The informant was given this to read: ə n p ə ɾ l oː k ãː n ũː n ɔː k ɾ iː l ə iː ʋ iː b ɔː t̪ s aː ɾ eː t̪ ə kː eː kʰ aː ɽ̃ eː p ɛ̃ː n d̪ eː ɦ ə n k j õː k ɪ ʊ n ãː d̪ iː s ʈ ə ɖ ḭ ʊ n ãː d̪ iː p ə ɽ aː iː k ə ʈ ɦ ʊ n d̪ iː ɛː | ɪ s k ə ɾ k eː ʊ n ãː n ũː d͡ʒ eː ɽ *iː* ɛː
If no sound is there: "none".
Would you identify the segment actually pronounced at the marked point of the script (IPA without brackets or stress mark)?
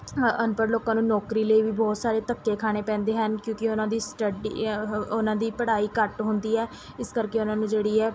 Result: iː